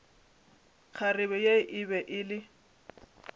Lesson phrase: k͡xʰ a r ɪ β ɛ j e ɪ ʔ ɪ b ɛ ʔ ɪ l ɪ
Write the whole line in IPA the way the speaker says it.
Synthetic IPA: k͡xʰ a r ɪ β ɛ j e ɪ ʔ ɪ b ɛ ʔ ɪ l ɪ